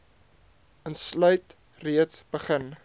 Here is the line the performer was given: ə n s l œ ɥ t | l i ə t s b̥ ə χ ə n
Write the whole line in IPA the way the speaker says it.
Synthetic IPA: ə n s l œ ɥ t | r i ə t s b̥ ə χ ə n

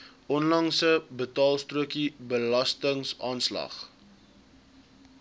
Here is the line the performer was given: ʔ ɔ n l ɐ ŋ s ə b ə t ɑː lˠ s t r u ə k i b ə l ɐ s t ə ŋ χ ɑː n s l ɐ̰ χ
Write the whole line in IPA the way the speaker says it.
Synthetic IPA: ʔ ɔ n l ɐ ŋ s ə b ə t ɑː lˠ s t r u ə k i b ə l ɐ s t ə ŋ s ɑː n s l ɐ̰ χ

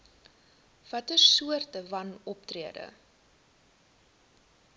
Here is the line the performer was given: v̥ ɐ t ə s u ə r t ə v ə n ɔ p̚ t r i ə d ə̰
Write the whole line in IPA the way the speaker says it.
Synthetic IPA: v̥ ɐ t ə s u ə r t ə v ɐ n ɔ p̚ t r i ə d ə̰

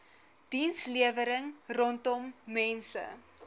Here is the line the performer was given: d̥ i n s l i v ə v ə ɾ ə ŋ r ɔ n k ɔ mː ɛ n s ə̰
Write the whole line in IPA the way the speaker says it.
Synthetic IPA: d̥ i n s l i ə v ə ɾ ə ŋ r ɔ n t ɔ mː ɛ n s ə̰

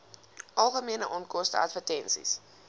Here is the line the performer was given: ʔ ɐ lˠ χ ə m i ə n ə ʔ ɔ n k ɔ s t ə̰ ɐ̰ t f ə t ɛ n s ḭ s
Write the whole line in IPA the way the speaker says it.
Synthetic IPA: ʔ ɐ lˠ χ ə m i ə n ə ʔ ɔ n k ɔ s t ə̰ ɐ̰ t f ə t ɛ n s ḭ s

